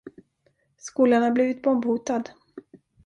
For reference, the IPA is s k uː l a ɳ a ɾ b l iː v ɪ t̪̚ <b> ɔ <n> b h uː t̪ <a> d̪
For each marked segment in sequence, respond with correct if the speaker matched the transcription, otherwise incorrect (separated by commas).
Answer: correct, incorrect, correct